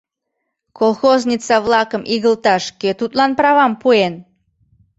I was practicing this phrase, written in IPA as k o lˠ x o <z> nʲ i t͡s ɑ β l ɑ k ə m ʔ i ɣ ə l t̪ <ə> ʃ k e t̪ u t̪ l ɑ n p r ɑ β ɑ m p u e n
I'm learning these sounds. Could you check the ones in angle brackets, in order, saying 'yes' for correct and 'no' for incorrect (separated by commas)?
yes, no